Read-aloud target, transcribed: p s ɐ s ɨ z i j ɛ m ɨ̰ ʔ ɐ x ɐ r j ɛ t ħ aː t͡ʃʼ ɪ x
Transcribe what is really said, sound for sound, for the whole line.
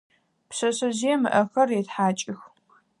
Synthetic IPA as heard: p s ɐ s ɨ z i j ɛ m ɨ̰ ʔ ɐ x ɐ r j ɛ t ħ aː t͡ʃʼ ɪ x